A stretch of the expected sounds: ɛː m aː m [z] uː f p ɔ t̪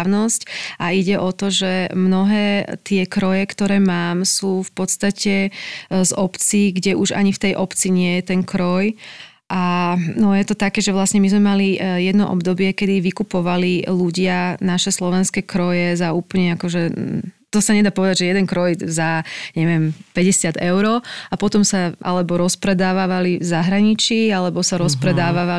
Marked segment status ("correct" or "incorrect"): incorrect